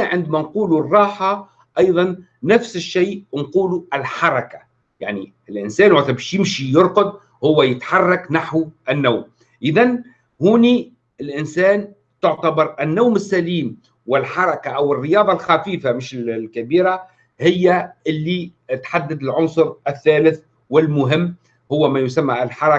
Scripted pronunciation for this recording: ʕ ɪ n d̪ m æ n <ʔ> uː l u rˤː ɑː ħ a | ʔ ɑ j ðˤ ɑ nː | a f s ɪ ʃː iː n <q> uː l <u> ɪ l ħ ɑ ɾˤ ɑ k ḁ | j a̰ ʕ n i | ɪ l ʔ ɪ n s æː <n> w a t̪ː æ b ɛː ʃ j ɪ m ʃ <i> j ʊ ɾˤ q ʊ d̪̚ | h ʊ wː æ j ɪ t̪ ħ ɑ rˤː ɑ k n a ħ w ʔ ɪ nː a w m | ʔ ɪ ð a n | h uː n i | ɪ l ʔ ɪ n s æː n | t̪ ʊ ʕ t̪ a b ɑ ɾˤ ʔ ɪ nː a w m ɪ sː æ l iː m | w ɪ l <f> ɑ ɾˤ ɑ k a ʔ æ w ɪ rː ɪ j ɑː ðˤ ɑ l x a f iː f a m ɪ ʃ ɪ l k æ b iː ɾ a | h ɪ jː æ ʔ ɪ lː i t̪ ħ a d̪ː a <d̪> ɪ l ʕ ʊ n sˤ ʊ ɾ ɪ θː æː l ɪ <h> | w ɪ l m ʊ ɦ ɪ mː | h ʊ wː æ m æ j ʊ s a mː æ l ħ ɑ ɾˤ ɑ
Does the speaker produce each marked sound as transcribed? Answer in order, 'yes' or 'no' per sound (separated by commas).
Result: no, yes, yes, yes, yes, no, yes, no